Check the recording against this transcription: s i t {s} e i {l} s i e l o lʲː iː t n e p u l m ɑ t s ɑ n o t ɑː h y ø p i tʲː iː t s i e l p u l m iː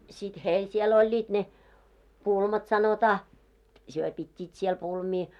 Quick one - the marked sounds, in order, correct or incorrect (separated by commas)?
incorrect, correct